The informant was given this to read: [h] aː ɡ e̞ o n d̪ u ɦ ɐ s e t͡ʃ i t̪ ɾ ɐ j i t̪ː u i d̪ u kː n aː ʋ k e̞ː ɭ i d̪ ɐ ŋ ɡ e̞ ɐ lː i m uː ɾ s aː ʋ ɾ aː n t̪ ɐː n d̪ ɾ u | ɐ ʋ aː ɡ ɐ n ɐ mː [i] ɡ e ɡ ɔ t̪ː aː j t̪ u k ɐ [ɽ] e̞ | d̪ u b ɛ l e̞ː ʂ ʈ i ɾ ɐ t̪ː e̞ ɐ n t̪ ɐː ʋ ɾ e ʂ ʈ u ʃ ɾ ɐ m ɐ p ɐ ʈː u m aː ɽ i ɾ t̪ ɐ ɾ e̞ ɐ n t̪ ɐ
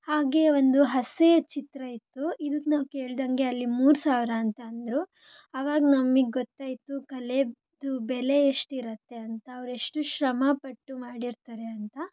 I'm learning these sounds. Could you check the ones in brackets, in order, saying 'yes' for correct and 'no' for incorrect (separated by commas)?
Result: yes, yes, no